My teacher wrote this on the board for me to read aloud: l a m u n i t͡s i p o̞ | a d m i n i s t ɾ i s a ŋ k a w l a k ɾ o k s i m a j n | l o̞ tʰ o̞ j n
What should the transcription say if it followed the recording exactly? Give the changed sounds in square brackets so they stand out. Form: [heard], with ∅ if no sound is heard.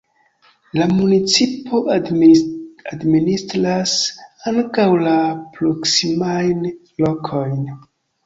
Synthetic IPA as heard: l a m u n i t͡s i p o̞ | a d m i n i s t ɾ [a] s a ŋ k a w l a [p] ɾ o k s i m a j n | l o̞ [kʰ] o̞ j n